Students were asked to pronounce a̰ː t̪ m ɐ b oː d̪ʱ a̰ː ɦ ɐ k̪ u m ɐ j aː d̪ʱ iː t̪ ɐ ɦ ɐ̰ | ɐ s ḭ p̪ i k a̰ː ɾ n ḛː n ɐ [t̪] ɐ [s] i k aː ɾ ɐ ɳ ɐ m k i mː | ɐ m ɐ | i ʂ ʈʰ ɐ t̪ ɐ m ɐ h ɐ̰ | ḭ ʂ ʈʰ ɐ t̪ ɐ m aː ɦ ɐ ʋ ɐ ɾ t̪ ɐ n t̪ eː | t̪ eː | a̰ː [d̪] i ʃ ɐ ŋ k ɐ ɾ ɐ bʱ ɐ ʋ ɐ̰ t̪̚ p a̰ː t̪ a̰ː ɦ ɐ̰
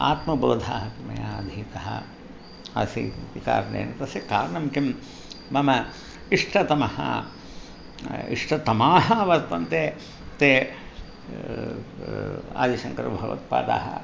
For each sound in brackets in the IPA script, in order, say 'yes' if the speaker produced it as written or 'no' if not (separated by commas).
yes, yes, yes